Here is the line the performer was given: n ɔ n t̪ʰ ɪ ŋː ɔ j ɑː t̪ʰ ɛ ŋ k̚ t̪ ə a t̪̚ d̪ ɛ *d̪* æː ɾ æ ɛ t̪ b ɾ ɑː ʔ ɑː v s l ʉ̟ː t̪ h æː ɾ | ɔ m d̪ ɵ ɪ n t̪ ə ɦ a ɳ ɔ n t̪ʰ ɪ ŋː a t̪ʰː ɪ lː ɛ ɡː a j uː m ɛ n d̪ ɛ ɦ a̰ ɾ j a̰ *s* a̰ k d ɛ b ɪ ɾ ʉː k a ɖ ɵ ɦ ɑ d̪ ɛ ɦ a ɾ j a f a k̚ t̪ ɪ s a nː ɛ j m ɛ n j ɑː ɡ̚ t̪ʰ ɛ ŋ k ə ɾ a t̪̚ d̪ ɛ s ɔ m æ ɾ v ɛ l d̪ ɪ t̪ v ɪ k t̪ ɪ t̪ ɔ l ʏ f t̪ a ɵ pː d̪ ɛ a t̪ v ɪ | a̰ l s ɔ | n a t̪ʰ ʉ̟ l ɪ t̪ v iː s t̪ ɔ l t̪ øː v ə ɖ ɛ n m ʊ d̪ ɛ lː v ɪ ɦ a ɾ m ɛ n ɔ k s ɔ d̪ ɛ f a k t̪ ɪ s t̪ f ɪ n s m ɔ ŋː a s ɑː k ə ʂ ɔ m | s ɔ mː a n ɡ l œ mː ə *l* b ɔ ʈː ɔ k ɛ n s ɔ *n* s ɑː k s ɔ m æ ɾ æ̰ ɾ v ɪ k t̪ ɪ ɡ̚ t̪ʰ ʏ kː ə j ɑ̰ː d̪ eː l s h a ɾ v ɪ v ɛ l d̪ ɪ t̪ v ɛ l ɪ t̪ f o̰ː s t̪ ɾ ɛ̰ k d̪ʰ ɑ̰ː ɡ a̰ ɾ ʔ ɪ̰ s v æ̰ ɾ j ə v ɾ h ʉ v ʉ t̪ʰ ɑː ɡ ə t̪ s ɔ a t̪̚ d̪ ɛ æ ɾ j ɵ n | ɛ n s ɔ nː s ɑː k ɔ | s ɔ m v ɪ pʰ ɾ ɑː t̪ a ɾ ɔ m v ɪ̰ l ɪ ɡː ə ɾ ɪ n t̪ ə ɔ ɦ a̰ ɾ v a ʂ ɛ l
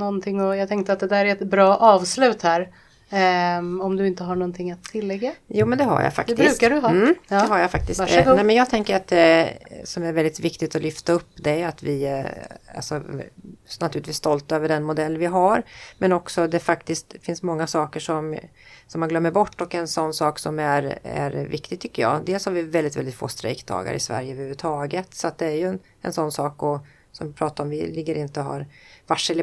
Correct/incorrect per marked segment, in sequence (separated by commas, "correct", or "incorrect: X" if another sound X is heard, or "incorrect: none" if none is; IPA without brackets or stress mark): correct, incorrect: f, incorrect: ɾ, incorrect: nː